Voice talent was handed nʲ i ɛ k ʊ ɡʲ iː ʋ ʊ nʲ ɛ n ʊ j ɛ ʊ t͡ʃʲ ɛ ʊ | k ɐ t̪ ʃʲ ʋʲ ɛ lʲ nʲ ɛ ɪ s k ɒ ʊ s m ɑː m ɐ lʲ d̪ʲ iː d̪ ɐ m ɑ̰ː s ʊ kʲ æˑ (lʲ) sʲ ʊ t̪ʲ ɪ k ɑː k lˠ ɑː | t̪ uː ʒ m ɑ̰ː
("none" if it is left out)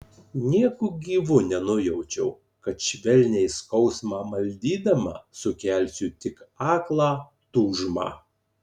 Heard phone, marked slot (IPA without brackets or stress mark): lʲ